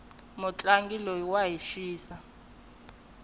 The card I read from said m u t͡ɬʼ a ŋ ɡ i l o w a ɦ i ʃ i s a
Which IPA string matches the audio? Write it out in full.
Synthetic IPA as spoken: m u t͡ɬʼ a ŋ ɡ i l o w a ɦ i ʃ iː s a